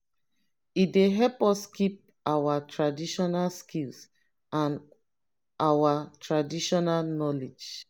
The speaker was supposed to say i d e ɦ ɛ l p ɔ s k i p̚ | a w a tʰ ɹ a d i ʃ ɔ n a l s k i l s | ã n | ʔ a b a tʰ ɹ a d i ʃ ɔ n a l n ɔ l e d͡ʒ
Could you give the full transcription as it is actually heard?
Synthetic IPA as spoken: i d e ɦ ɛ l p ɔ s k i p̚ | a w a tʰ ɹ a d i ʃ ɔ n a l s k i l s | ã n | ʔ a w a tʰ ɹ a d i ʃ ɔ n a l n ɔ l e d͡ʒ